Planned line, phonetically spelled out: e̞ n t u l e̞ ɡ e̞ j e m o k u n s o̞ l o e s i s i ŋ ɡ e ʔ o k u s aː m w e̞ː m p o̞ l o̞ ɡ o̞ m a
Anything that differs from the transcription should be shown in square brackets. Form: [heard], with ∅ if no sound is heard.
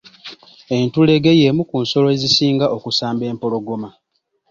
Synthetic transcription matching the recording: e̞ n t u l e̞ ɡ e̞ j e m [u] k u n s o̞ l o e [z] i s [iː] ŋ ɡ [a] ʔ o k u s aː m [b] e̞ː m p o̞ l o̞ ɡ o̞ m a